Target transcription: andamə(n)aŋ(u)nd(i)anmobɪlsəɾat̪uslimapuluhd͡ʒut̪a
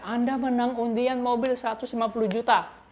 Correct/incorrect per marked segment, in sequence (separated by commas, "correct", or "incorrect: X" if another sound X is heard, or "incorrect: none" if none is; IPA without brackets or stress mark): correct, correct, correct